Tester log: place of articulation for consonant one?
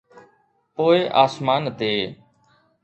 labial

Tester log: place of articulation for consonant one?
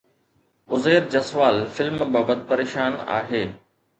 alveolar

